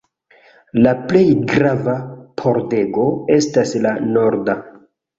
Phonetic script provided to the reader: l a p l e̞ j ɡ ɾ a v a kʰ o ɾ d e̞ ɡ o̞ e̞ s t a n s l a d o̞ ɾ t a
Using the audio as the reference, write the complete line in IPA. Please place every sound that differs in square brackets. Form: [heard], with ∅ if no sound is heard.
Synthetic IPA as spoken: l a p l e̞ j ɡ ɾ a v a [pʰ] o ɾ d e̞ ɡ o̞ e̞ s t a [∅] s l a [n] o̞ ɾ [d] a